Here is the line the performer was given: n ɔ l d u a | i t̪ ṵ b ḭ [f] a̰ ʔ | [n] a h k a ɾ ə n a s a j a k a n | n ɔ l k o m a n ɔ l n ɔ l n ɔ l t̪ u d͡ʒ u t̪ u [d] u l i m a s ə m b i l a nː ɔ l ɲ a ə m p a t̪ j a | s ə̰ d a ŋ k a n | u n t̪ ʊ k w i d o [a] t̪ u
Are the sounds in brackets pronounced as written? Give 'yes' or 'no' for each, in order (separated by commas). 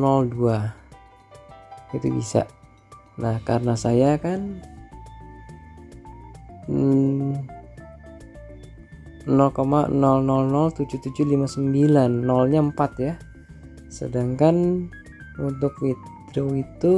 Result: no, yes, no, no